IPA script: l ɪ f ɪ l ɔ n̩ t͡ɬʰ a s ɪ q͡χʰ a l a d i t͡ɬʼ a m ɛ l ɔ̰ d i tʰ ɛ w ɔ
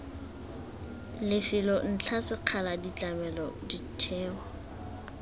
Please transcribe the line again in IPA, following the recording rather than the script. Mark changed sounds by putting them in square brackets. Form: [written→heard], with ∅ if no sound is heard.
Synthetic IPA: l ɪ f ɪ l ɔ n̩ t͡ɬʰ a s ɪ q͡χʰ a l a d i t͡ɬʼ a m ɛ l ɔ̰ d i tʰ [ɛ→ɛː] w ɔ